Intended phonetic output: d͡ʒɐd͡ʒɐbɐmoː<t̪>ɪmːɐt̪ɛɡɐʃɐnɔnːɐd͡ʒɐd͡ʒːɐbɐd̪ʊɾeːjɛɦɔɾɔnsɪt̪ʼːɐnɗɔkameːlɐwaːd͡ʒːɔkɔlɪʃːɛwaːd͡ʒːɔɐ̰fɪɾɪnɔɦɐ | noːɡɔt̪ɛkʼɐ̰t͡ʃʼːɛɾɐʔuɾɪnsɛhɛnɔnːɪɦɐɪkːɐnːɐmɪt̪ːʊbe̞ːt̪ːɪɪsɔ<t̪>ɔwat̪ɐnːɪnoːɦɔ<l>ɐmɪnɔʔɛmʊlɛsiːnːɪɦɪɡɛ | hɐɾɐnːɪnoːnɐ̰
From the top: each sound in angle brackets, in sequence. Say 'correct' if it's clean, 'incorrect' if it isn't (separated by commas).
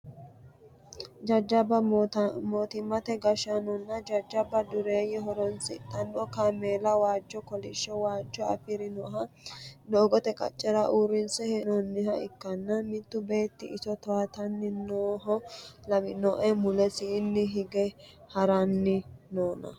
correct, correct, correct